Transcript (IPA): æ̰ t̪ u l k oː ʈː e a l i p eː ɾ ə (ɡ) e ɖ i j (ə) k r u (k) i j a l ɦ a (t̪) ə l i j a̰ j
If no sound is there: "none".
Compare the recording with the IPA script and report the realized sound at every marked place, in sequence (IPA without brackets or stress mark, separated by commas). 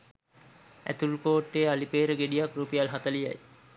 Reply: ɡ, a, p, t̪